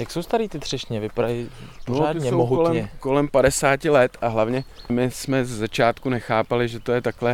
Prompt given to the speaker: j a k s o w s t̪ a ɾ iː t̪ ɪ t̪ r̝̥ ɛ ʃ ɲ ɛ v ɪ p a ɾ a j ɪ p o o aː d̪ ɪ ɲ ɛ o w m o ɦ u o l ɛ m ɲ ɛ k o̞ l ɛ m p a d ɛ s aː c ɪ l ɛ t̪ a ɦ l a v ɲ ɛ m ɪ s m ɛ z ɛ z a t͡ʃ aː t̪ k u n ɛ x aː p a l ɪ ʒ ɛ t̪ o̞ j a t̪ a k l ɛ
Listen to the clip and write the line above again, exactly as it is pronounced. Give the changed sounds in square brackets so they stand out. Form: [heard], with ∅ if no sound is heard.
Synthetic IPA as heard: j a k s o w s t̪ a ɾ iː t̪ ɪ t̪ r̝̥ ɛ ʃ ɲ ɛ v ɪ p a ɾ a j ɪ p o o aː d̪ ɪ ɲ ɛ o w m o ɦ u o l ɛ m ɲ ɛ k o̞ l ɛ m p a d ɛ s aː c ɪ l ɛ t̪ a ɦ l a v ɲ ɛ m ɪ s m ɛ z ɛ z a t͡ʃ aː t̪ k u n ɛ x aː p a l ɪ ʒ ɛ t̪ o̞ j [ɛ] t̪ a k l ɛ